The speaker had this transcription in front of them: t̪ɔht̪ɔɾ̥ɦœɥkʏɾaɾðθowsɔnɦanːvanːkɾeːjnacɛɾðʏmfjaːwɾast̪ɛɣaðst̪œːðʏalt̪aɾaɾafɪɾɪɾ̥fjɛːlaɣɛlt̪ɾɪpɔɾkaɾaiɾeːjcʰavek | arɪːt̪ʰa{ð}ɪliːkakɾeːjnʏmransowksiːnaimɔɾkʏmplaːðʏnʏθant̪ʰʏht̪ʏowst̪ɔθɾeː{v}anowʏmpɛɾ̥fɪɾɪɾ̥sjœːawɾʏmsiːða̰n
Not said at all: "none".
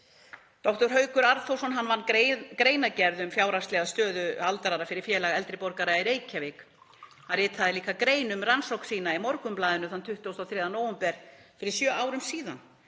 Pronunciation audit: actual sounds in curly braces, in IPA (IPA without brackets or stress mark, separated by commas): ð, ð